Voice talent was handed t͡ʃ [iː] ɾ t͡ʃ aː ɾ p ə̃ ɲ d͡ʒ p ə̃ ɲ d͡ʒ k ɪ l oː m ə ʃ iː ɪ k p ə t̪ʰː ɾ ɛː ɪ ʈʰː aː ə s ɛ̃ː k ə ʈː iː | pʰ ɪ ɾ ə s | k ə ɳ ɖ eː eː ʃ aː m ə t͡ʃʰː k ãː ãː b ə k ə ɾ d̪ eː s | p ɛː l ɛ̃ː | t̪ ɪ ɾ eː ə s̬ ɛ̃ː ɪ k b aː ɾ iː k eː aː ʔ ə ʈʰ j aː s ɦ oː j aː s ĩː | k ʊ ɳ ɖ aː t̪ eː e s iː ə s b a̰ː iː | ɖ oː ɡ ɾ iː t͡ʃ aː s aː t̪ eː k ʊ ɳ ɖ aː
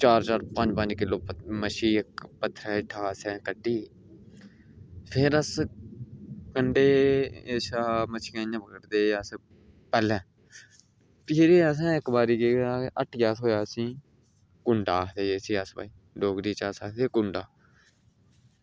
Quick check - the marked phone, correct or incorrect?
incorrect